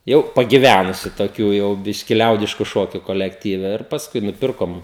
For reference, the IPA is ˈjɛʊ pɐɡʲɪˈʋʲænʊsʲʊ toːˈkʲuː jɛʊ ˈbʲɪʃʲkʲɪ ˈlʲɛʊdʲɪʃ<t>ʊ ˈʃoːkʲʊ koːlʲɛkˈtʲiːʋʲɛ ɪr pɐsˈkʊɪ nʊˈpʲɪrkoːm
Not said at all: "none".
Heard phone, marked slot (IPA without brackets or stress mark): k